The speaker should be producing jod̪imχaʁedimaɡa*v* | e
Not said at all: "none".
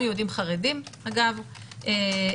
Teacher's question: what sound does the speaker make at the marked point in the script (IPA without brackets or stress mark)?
v